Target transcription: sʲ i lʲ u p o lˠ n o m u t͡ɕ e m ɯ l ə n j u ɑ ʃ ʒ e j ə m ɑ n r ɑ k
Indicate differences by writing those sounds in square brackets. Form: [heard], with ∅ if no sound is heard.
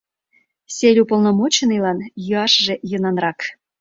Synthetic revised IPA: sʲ [e] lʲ u p o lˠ n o m [o] t͡ɕ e [n] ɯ l [ɑ] n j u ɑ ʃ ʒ e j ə [n] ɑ n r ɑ k